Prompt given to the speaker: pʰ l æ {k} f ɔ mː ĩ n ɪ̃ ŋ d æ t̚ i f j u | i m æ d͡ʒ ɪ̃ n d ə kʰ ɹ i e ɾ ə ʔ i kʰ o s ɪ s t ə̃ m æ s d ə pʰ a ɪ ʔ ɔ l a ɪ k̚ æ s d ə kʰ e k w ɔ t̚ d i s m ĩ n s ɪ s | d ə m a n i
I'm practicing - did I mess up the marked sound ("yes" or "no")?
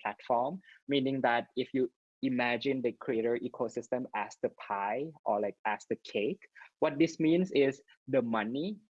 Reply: yes